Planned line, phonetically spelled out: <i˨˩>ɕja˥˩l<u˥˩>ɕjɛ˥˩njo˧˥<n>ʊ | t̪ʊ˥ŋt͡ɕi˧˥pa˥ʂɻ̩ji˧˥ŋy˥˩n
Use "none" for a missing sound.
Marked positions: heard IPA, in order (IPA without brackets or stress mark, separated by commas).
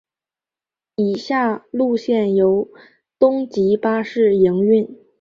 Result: i˨˩, u˥˧, none